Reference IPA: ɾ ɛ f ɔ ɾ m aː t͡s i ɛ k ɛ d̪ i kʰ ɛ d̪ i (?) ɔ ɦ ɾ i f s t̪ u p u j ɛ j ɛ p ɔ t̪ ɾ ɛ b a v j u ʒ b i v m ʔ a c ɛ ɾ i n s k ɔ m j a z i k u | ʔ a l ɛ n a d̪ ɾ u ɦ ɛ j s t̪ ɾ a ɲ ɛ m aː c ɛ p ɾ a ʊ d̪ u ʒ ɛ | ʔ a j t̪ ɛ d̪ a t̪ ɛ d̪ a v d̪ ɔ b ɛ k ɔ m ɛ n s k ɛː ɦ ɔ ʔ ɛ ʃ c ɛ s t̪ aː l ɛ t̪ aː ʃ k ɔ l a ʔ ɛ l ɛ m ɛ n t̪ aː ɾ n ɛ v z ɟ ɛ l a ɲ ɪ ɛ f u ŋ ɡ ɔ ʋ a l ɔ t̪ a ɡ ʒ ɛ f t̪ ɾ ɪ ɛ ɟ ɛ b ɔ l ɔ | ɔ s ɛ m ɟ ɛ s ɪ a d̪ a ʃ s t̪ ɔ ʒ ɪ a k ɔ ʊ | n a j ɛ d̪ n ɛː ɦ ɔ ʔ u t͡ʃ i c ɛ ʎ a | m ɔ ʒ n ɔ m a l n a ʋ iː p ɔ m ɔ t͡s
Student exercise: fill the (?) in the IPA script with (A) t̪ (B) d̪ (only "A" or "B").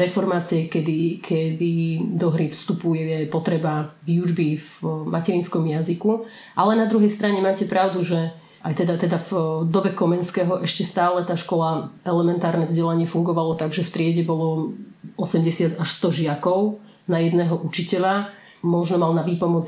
B